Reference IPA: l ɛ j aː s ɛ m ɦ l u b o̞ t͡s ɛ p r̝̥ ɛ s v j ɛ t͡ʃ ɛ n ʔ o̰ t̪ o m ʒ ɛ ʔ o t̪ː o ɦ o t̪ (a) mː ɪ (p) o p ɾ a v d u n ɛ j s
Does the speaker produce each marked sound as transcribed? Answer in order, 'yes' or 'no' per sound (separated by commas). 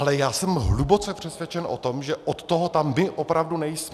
yes, no